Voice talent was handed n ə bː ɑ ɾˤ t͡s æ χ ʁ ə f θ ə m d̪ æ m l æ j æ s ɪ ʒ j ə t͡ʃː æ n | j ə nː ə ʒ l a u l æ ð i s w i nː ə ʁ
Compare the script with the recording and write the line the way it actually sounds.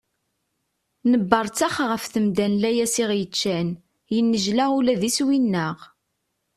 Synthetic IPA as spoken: n ə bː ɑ ɾˤ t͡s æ χ ʁ ə f θ ə m d̪ æ n l æ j æ s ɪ ʁ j ə t͡ʃː æ n | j ə nː ə ʒ l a u l æ ð i s w i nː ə ʁ